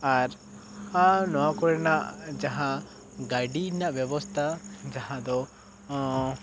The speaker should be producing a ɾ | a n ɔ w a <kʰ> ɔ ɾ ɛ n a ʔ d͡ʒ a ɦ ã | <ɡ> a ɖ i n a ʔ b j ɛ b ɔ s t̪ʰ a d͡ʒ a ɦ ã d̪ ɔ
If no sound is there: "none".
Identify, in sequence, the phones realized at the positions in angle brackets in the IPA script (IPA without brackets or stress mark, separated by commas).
k, ɡ